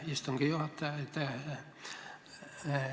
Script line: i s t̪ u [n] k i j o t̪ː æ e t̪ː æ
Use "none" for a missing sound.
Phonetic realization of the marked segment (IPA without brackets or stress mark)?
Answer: ŋ